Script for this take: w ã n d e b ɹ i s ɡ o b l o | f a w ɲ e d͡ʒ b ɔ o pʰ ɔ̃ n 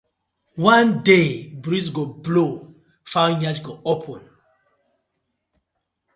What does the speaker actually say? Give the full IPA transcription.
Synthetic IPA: w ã n d e b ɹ i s ɡ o b l o | f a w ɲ a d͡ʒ ɡ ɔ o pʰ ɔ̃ n